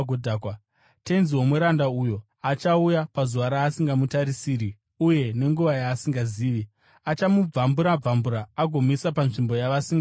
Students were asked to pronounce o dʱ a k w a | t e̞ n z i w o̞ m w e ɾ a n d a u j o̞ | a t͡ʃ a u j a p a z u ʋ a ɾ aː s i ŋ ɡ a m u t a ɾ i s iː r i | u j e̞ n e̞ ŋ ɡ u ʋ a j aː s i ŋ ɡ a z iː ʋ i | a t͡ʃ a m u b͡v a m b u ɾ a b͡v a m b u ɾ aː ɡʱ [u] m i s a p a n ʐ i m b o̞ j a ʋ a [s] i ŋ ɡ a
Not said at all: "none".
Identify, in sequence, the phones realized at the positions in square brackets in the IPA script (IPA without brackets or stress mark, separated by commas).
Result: o, s